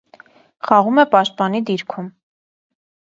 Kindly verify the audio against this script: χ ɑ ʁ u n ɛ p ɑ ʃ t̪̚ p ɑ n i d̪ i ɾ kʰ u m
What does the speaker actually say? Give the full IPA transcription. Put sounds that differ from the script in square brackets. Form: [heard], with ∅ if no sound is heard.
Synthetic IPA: χ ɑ ʁ u [m] ɛ p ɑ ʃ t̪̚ p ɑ n i d̪ i ɾ kʰ u m

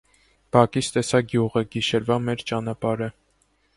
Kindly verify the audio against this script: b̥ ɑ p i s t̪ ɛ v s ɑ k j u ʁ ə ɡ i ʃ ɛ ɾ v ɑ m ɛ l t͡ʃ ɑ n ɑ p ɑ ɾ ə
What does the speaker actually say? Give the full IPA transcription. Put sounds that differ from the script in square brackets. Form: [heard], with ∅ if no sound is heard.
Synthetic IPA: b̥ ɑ [k] i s t̪ ɛ [∅] s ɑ [ɡ] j u ʁ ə ɡ i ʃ ɛ ɾ v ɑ m ɛ [ɾ] t͡ʃ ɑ n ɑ p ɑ ɾ ə

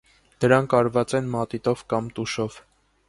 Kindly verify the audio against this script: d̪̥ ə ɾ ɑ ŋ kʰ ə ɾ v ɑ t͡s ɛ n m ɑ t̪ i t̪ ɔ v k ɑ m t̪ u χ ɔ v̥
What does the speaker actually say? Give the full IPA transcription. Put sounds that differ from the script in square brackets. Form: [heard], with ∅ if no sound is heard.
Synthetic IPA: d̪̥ ə ɾ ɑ ŋ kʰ [ɑ] ɾ v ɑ t͡s ɛ n m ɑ t̪ i t̪ ɔ v k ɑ m t̪ u [ʃ] ɔ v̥

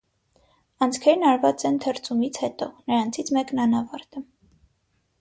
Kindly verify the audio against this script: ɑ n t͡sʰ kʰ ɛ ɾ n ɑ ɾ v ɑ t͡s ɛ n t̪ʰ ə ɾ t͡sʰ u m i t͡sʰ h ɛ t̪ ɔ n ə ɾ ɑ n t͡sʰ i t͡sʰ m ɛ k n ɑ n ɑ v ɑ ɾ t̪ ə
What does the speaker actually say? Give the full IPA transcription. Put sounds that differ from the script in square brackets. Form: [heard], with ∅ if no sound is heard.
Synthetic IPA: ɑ n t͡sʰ kʰ ɛ ɾ n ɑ ɾ v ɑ t͡s ɛ n t̪ʰ ə ɾ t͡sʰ u m i t͡sʰ h ɛ t̪ ɔ n ə ɾ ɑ n t͡sʰ i t͡sʰ m ɛ k n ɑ n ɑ v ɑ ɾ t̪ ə

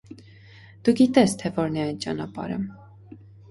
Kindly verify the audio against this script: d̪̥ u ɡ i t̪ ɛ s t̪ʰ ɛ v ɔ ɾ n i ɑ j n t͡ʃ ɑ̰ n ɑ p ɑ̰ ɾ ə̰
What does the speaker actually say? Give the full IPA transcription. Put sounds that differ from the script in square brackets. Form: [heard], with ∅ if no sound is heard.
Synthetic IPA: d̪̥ u ɡ i t̪ ɛ s t̪ʰ ɛ v ɔ ɾ n [ɛ] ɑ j n t͡ʃ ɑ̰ n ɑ p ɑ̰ ɾ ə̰

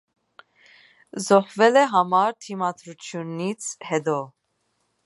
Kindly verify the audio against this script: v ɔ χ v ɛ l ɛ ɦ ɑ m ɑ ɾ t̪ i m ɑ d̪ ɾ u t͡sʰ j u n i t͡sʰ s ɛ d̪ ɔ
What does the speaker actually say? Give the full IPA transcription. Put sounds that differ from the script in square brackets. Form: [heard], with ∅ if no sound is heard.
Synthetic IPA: [z] ɔ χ v ɛ l ɛ ɦ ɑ m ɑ ɾ [t̪ʰ] i m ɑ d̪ ɾ u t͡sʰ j u n i t͡sʰ [h] ɛ d̪ ɔ

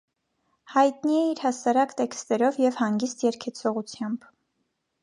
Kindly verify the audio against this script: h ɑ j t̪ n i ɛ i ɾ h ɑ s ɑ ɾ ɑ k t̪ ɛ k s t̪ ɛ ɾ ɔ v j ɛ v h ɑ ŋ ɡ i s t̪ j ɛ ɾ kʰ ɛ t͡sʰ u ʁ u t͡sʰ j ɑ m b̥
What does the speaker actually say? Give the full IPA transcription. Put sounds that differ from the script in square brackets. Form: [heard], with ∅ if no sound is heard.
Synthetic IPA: h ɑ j t̪ n i ɛ i ɾ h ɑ s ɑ ɾ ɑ k t̪ ɛ k s t̪ ɛ ɾ ɔ v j ɛ v h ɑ ŋ ɡ i s t̪ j ɛ ɾ kʰ ɛ t͡sʰ [ɔ] ʁ u t͡sʰ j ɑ m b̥

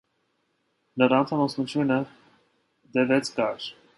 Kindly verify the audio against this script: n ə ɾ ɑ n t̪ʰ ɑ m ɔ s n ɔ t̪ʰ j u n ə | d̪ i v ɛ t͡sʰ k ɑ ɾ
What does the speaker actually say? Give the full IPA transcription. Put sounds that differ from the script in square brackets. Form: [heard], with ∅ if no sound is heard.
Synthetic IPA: n ə ɾ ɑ n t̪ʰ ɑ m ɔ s n [u] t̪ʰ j u n ə | d̪ [ɛ] v ɛ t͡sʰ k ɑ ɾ

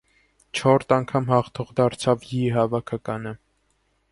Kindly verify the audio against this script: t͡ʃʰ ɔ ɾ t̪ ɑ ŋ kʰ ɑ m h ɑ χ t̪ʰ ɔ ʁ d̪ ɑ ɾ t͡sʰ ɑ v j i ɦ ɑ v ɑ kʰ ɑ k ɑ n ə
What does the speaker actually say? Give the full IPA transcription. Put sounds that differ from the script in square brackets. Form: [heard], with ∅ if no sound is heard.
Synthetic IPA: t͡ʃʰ ɔ ɾ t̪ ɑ ŋ kʰ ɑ m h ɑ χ t̪ʰ ɔ ʁ d̪ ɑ ɾ t͡sʰ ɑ v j i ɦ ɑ v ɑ kʰ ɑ k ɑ n ə

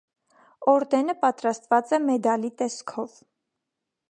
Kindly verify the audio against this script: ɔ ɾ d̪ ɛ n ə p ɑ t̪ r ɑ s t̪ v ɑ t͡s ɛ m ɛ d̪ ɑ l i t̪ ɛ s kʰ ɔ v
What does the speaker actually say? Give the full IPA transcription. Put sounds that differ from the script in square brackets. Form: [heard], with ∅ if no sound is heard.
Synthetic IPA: ɔ ɾ d̪ ɛ n ə p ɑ t̪ [ɾ] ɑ s t̪ v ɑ t͡s ɛ m ɛ d̪ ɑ l i t̪ ɛ s kʰ ɔ v

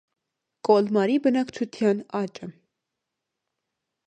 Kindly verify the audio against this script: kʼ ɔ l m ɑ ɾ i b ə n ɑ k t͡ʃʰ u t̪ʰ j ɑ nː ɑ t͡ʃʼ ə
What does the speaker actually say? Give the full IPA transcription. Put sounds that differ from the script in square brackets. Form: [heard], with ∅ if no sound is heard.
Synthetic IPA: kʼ ɔ l m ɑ ɾ i b ə n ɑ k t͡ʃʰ u t̪ʰ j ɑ [n] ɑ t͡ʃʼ ə

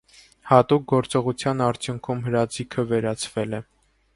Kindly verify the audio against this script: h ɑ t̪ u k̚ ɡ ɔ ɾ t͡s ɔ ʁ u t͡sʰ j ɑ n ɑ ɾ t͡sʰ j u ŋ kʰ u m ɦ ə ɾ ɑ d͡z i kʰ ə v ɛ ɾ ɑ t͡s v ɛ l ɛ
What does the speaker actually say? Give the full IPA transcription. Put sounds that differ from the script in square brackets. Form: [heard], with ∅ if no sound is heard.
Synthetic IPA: h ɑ t̪ u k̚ ɡ ɔ ɾ t͡s ɔ ʁ u t͡sʰ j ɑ n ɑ ɾ t͡sʰ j u ŋ kʰ u m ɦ ə ɾ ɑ d͡z i kʰ ə v ɛ ɾ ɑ [t͡sʰ] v ɛ l ɛ

